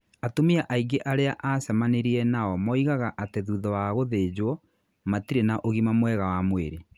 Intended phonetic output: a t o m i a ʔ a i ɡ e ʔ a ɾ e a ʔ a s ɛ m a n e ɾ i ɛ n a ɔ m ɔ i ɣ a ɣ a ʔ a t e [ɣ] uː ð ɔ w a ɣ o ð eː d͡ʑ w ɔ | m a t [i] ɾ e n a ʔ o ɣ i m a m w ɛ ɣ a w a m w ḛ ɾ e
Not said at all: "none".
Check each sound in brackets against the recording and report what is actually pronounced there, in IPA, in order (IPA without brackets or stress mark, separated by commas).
ð, i